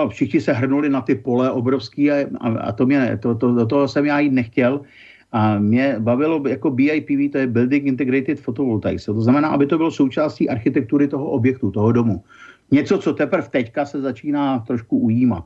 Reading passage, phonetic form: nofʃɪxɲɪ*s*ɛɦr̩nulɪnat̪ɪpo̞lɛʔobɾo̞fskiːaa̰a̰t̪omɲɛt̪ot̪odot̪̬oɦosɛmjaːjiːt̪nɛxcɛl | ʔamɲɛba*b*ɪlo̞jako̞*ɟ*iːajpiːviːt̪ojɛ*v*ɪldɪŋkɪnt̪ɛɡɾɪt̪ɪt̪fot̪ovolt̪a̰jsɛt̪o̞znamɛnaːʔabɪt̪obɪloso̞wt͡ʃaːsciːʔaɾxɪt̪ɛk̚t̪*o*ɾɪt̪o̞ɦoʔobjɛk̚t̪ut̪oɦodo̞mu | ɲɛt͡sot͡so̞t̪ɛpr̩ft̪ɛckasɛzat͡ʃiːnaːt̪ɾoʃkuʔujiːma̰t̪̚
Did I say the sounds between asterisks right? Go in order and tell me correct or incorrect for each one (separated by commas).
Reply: correct, incorrect, incorrect, incorrect, incorrect